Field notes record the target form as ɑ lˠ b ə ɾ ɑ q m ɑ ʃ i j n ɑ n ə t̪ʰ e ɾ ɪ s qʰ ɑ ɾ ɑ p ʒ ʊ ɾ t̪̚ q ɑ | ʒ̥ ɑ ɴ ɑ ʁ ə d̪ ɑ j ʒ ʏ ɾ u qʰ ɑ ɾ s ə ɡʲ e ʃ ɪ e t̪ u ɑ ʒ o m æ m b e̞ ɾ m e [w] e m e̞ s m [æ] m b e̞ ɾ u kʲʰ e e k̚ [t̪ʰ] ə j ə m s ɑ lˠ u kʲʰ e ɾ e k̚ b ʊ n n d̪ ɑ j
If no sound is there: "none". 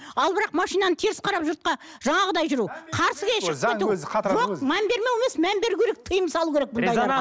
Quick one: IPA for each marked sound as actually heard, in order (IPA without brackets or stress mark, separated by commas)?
w, æ, t̪ʰ